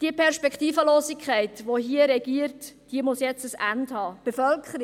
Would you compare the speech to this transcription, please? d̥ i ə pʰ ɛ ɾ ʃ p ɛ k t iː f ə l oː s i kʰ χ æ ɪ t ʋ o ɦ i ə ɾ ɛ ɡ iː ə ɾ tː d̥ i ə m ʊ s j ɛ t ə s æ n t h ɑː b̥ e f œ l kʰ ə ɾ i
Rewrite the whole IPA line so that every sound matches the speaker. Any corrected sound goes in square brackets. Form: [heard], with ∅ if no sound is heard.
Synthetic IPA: d̥ i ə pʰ ɛ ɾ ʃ p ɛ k t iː f ə l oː s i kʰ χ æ ɪ t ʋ o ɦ i ə ɾ ɛ ɡ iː ə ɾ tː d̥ i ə m ʊ s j ɛ [t͡s] ə s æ n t h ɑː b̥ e f œ l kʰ ə ɾ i